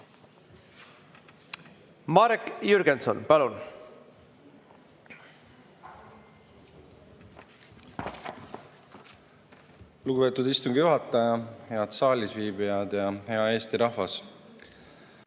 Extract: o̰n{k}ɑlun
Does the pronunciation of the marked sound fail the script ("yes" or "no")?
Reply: yes